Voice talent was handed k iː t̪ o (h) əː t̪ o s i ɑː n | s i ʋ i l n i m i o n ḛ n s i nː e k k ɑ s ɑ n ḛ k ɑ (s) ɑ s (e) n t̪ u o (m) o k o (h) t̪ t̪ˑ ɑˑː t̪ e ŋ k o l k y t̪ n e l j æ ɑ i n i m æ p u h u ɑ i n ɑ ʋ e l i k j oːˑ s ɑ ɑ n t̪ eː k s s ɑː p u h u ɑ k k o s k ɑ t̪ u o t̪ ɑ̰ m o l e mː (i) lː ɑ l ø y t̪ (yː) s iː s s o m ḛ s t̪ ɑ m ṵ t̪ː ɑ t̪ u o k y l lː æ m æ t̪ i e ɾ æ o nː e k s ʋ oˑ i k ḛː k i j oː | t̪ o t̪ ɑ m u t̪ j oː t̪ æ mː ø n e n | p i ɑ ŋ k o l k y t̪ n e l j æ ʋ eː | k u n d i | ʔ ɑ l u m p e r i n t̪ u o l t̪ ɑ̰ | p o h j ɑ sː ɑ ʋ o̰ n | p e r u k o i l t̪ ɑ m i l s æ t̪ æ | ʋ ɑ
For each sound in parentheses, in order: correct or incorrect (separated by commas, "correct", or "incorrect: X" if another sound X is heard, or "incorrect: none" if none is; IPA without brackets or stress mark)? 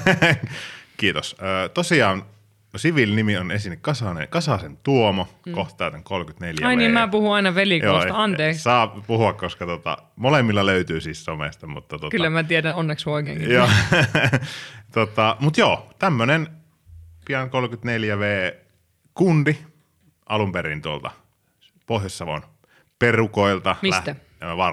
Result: incorrect: s, correct, correct, correct, correct, correct, correct